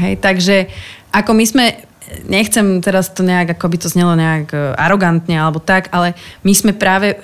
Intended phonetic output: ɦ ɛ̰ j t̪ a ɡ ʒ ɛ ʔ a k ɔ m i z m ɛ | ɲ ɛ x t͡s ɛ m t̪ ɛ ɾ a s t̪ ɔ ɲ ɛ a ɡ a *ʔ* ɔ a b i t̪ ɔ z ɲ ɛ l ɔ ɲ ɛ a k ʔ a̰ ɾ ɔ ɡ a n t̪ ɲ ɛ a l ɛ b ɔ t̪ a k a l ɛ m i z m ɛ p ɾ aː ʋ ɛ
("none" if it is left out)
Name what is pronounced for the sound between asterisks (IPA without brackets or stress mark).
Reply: k